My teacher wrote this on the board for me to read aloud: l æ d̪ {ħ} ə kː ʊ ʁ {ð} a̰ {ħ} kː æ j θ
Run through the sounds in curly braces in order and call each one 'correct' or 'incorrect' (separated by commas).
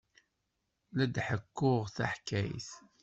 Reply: correct, incorrect, correct